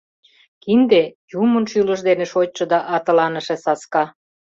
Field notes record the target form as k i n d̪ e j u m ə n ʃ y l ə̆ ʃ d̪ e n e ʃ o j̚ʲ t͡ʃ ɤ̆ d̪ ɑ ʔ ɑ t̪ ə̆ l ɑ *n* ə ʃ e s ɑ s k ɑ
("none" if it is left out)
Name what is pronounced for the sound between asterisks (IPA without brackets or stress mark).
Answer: n